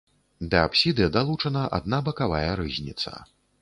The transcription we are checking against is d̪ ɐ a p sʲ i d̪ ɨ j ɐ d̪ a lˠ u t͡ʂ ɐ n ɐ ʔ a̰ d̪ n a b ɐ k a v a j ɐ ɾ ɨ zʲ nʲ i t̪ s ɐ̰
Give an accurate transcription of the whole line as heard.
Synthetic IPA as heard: d̪ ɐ a p sʲ i d̪ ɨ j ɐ d̪ a lˠ u t͡ʂ ɐ n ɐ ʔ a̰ d̪ n a b ɐ k a v a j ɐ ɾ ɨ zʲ nʲ i t̪ s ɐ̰